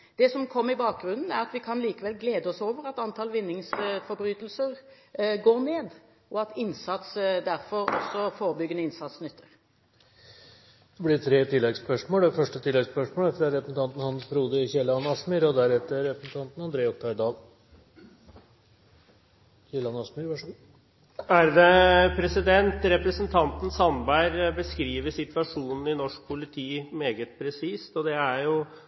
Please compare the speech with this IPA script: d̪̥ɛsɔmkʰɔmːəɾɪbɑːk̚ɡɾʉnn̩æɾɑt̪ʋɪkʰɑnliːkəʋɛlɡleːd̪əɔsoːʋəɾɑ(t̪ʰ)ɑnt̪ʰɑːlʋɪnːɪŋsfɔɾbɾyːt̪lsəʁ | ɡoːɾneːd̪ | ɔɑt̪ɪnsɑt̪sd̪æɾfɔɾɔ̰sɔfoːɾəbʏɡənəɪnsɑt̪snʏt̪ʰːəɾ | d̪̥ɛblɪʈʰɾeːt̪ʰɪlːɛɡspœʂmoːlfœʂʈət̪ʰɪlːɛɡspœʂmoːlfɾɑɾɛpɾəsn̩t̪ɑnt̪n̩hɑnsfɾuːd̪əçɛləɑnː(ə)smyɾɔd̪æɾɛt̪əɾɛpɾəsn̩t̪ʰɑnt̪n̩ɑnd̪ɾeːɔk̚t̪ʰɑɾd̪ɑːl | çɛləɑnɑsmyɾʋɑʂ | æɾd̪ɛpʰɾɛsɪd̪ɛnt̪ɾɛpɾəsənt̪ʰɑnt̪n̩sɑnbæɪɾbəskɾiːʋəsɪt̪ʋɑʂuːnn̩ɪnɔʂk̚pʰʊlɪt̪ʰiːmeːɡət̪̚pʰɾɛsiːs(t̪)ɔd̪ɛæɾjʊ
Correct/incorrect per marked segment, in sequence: incorrect, incorrect, correct

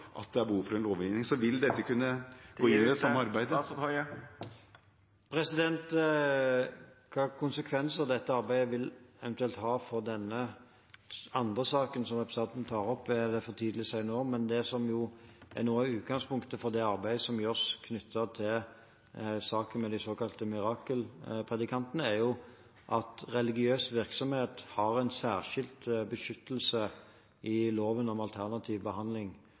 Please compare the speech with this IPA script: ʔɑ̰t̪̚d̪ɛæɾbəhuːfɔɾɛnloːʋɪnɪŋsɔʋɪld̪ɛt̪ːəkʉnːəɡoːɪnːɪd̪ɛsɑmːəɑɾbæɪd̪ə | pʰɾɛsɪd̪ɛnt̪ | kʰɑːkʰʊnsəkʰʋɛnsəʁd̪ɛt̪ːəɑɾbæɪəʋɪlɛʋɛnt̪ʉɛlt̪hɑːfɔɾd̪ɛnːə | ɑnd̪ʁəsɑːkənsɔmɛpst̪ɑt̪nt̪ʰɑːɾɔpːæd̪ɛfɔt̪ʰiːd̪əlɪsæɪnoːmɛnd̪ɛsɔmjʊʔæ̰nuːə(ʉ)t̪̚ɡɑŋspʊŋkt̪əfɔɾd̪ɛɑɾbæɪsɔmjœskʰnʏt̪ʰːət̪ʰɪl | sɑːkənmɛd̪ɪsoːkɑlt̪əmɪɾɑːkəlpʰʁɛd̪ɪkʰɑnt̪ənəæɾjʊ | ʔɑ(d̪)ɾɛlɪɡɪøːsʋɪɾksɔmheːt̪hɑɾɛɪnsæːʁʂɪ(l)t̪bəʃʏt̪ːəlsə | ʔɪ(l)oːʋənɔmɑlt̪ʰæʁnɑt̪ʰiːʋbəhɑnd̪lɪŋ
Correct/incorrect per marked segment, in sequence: incorrect, incorrect, correct, correct

